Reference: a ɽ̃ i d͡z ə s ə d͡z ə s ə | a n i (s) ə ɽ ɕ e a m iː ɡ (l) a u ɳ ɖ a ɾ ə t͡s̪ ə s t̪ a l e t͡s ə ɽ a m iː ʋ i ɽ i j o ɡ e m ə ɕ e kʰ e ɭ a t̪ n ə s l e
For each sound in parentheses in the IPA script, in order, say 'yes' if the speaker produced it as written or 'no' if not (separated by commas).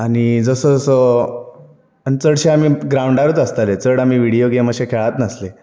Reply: no, no